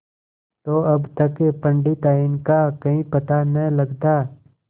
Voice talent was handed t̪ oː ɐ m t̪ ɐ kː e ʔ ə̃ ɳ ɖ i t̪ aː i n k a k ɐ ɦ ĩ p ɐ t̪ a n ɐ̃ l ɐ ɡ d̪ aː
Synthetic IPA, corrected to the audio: t̪ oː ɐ b t̪ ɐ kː e p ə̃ ɳ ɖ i t̪ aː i n k a k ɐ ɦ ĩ p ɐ t̪ a n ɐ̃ l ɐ ɡ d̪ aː